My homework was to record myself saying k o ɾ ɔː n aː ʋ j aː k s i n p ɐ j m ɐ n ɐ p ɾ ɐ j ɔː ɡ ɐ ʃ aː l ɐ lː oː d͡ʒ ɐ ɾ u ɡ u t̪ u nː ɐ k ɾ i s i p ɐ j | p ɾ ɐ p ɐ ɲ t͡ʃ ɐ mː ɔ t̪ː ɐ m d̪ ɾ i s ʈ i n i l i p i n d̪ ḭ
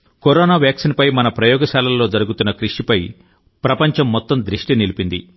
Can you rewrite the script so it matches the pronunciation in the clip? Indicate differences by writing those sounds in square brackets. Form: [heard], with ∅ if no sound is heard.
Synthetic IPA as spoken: k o ɾ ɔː n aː ʋ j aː k s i n p ɐ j m ɐ n ɐ p ɾ ɐ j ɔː ɡ ɐ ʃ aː l ɐ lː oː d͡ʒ ɐ ɾ u ɡ u t̪ u nː ɐ k ɾ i [ʂ] i p ɐ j | p ɾ ɐ p ɐ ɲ t͡ʃ ɐ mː ɔ t̪ː ɐ m d̪ ɾ i [ʂ] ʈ i n i l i p i n d̪ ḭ